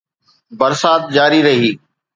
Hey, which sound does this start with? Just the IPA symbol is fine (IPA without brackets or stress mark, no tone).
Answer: b